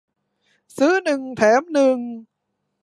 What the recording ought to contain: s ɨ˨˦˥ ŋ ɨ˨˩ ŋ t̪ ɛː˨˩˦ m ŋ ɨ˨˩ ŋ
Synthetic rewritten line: s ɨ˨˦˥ n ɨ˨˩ ŋ t̪ʰ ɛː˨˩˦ m n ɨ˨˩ ŋ